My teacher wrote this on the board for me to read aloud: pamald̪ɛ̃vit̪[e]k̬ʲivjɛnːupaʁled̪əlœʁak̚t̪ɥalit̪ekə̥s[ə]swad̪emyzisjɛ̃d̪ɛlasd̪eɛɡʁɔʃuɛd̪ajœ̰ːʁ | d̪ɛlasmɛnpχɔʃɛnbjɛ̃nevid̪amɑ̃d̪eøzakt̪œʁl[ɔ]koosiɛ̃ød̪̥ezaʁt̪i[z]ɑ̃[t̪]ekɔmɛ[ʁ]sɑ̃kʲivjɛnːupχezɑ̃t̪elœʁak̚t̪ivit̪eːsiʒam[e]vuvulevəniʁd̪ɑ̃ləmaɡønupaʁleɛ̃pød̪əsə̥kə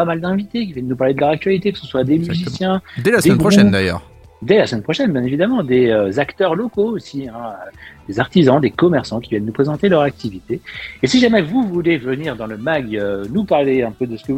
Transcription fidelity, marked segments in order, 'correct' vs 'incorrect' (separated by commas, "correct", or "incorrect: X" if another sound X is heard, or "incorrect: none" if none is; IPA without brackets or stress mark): correct, correct, correct, correct, incorrect: d̪, correct, incorrect: ɛ